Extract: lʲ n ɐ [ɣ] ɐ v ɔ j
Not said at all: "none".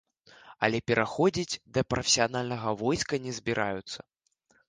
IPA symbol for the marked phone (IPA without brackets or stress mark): ɣ